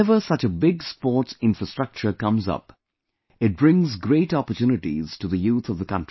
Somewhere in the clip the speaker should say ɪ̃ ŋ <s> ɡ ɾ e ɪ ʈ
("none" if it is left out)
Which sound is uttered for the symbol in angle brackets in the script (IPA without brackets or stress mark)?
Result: z